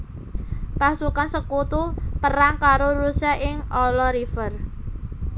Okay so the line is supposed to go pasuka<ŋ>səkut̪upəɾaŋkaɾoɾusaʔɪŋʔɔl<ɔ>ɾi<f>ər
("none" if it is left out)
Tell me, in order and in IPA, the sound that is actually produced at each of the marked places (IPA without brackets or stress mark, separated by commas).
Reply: n, ɔ, f